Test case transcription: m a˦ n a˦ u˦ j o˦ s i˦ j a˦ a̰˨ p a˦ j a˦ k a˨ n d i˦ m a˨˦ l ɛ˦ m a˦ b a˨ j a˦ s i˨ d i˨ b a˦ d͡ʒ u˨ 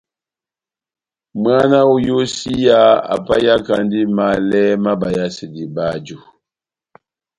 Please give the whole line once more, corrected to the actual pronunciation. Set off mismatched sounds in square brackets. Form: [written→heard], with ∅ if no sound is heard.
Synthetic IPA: m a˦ n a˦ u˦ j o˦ s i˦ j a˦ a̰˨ p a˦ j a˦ k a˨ n d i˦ m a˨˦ l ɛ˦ m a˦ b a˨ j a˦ s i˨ d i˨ b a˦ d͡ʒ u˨